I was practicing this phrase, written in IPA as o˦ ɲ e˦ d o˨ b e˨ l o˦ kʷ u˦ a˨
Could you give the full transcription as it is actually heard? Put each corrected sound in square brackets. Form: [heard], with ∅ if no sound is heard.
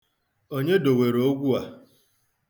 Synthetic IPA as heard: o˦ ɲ e˦ d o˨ [w] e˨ [ɾ] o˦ [ɡʷ] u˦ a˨